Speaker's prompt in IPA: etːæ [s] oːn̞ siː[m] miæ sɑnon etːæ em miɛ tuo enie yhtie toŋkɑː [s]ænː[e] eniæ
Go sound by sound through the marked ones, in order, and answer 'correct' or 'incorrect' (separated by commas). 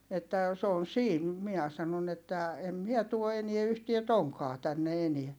correct, incorrect, incorrect, correct